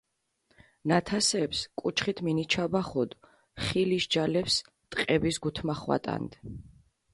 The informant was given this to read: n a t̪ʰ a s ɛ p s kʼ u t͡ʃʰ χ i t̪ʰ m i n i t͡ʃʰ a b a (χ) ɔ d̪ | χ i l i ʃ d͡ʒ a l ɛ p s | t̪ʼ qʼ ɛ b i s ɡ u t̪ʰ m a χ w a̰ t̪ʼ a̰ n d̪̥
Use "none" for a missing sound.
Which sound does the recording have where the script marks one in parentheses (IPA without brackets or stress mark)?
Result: χ